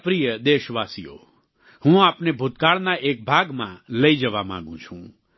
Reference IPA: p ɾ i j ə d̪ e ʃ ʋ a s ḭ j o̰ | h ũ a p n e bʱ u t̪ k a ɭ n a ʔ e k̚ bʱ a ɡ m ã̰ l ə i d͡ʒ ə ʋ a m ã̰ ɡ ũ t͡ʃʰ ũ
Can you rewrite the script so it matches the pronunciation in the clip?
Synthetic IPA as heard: p ɾ i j ə d̪ e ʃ ʋ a s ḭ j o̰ | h ũ a p n e bʱ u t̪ k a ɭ n a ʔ e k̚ bʱ a ɡ m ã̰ l ə i d͡ʒ ə ʋ a m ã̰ ɡ ũ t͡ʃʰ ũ